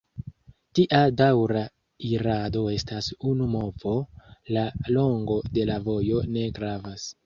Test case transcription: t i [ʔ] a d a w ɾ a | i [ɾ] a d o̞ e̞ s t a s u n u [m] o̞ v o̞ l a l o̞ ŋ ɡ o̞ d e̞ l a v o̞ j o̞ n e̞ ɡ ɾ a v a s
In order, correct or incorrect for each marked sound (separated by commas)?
correct, correct, correct